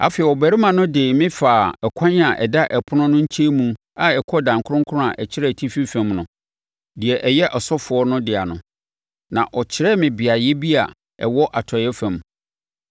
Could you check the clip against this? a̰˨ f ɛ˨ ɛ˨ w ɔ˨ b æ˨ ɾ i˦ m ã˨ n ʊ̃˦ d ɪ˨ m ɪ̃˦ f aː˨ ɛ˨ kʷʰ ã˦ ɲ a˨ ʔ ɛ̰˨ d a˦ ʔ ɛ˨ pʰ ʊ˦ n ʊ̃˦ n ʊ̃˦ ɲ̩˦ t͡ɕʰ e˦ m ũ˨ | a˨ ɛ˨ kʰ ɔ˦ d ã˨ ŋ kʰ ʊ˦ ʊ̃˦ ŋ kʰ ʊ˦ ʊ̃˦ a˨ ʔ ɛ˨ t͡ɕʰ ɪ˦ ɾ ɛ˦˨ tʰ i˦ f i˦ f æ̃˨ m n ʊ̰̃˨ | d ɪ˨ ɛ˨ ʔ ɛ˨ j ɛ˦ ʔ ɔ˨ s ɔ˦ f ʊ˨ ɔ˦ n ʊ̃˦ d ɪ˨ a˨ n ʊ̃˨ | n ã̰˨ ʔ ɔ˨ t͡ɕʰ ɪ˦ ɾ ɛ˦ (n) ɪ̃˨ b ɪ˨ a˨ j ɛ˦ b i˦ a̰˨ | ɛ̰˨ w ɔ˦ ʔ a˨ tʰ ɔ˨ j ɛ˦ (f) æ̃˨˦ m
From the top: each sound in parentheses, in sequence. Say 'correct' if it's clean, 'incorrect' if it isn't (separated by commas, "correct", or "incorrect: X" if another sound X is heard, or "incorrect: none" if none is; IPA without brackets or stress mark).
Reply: incorrect: m, correct